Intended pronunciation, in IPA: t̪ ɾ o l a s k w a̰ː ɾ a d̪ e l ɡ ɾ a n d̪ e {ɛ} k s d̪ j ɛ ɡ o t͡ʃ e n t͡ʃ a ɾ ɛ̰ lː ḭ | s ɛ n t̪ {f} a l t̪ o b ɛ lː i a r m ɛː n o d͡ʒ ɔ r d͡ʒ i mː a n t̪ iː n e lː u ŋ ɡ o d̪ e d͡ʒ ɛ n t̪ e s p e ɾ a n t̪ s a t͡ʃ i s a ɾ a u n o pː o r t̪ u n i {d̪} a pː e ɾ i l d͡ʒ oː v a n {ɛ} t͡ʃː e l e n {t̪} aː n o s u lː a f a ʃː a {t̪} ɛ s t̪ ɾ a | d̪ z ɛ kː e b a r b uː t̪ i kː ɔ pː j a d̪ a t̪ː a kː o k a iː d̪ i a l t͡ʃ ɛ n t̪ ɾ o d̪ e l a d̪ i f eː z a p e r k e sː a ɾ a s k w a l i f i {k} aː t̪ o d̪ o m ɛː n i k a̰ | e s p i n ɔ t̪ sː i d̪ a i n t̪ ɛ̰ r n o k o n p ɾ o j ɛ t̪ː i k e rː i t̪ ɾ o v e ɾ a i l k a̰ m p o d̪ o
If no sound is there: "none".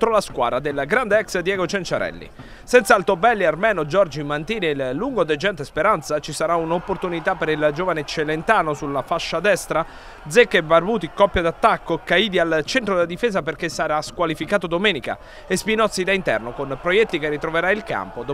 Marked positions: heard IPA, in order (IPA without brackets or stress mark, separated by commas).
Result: ɛ, s, t̪, e, t̪, d̪, k